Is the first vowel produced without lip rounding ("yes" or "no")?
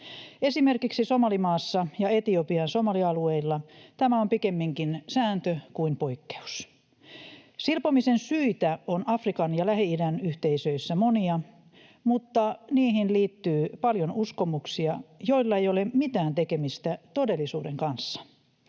yes